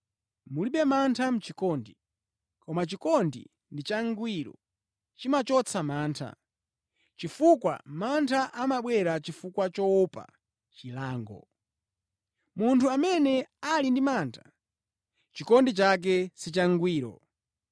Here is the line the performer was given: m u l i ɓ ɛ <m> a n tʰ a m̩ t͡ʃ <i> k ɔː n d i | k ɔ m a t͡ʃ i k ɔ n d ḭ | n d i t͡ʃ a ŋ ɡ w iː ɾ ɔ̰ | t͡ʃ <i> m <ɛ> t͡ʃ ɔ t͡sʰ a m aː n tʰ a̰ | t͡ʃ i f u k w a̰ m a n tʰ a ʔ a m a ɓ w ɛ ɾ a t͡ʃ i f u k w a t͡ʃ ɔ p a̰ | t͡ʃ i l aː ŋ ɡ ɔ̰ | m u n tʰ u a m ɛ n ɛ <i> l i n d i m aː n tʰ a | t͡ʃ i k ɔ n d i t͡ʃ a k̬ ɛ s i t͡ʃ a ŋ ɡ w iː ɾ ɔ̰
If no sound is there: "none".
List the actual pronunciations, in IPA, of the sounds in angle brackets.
m, i, i, a, a

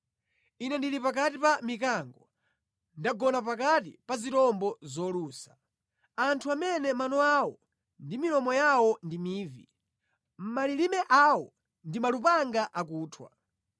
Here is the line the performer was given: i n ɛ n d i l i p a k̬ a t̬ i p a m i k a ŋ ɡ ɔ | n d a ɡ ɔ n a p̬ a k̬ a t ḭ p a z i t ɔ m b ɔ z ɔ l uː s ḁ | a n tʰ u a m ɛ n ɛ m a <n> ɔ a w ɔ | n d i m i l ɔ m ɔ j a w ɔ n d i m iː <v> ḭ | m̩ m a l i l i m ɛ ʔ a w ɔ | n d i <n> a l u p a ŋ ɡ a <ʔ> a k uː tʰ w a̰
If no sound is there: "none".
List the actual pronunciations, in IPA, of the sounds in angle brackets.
n, v, m, ʔ

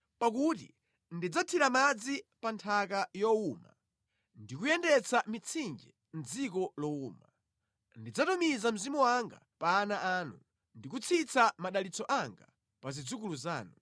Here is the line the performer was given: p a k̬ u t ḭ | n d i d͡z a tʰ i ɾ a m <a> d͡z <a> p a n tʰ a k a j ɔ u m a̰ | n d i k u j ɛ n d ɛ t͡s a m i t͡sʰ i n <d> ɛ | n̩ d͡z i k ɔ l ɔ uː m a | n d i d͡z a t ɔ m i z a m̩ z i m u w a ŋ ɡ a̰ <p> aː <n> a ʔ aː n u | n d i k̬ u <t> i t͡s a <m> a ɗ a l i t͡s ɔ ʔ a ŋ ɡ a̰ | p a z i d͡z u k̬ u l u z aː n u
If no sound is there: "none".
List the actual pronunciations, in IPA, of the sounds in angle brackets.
a, i, d͡ʒ, p, n, t͡sʰ, m

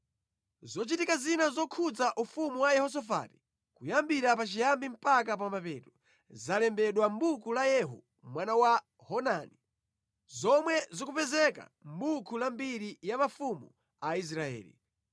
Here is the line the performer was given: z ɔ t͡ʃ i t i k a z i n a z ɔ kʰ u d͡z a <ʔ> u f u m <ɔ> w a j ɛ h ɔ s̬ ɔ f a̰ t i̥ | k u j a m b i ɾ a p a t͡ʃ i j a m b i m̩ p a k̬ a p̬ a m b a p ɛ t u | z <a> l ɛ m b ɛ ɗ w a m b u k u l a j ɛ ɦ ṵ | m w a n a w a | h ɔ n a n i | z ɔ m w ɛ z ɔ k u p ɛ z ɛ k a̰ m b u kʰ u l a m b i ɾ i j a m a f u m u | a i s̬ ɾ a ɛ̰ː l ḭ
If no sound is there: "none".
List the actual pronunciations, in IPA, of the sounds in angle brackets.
ʔ, u, a

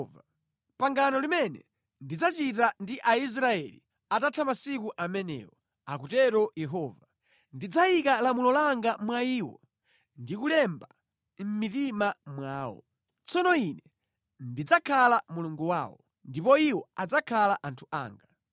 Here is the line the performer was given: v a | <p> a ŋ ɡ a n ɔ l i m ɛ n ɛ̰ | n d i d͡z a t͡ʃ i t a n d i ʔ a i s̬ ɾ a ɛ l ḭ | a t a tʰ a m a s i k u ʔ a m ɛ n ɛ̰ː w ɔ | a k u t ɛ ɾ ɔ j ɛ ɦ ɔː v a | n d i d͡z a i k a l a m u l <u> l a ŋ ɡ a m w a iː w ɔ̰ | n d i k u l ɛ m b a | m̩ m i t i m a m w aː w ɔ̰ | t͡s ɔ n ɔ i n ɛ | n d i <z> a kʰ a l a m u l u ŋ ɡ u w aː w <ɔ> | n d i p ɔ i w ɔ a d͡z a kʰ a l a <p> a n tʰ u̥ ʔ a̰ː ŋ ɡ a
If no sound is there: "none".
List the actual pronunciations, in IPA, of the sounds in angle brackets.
p, ɔ, d͡z, ɔ, ʔ

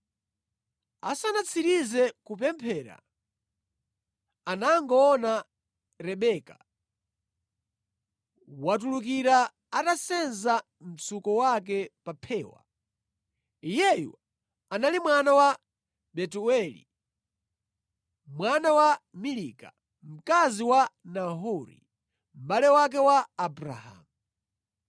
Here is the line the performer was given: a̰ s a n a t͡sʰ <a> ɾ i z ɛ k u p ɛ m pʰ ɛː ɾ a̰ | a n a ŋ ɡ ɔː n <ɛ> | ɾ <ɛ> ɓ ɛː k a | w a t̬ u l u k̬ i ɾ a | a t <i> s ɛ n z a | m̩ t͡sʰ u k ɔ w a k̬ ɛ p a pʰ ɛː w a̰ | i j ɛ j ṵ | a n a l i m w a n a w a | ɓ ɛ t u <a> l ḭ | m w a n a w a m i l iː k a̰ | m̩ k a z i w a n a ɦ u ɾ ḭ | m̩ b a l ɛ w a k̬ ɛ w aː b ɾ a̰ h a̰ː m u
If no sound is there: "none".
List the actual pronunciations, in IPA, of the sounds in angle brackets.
i, a, ɛ, a, ɛ

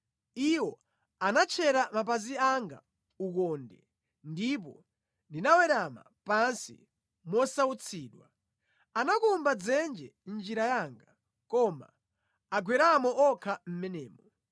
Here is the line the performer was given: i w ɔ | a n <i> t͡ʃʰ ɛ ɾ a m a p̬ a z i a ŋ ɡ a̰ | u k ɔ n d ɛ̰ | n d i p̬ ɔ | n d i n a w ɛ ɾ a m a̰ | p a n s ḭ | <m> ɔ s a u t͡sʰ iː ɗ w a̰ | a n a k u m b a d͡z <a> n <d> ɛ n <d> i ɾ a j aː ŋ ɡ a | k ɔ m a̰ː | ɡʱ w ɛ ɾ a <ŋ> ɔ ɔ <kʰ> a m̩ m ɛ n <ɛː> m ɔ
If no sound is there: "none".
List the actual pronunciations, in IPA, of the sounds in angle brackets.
a, m, ɛ, d͡ʒ, d͡ʒ, m, kʰ, ɛː

